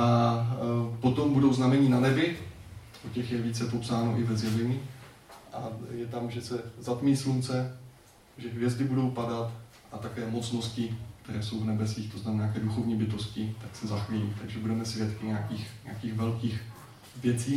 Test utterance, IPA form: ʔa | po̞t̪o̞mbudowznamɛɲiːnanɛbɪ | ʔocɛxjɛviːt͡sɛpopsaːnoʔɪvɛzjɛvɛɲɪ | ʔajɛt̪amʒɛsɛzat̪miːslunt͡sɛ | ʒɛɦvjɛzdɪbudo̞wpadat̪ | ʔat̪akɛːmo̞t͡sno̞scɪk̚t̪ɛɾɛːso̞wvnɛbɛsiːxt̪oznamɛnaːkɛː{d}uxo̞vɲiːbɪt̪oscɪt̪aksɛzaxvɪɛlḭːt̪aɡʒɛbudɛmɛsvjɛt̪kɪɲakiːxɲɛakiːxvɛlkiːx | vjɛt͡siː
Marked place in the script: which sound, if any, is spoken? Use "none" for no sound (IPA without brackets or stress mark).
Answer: d